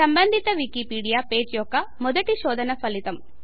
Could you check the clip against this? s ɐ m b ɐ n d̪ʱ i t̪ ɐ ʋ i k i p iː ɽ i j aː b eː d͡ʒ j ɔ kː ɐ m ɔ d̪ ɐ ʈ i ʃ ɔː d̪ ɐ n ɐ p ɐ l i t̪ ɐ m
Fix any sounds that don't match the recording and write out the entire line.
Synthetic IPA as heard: s ɐ m b ɐ n d̪ʱ i t̪ ɐ ʋ i k i p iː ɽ i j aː p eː d͡ʒ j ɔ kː ɐ m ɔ d̪ ɐ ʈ i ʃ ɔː d̪ ɐ n ɐ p ɐ l i t̪ ɐ m